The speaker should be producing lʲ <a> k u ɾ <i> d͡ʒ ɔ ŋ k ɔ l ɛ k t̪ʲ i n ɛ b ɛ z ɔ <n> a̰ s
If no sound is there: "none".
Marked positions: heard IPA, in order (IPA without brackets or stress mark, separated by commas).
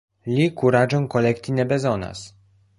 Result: i, a, n